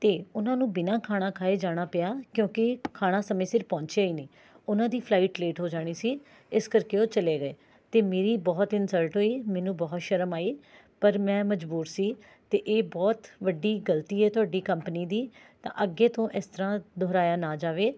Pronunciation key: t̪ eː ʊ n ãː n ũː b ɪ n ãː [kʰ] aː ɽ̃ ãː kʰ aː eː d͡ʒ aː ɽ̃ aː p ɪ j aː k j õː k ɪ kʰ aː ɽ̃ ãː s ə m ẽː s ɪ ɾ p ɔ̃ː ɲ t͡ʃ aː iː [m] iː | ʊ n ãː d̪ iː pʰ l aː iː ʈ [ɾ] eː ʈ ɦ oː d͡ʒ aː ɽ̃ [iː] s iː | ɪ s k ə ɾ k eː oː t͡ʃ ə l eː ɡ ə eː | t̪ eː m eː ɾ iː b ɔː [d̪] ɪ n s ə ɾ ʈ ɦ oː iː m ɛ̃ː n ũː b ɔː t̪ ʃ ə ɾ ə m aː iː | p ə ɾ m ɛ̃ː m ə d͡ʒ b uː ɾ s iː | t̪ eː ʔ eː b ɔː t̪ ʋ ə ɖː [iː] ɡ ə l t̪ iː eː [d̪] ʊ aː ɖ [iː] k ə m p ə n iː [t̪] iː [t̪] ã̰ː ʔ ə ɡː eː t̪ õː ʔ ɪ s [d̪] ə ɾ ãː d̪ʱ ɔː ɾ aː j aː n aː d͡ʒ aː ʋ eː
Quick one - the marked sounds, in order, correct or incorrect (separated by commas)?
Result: correct, incorrect, incorrect, correct, incorrect, correct, incorrect, correct, incorrect, correct, incorrect